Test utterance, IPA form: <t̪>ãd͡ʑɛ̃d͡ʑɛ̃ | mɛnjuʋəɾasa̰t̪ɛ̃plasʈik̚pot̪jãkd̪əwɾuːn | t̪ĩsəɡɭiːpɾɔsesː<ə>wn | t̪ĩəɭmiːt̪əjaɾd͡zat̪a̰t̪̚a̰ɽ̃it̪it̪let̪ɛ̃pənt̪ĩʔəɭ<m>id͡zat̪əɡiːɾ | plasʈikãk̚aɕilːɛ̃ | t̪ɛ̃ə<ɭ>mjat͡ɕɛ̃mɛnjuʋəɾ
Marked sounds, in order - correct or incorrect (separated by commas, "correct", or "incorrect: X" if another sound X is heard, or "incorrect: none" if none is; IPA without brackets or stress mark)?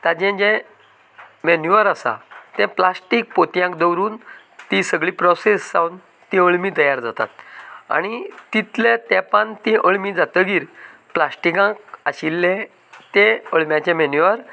correct, incorrect: a, correct, correct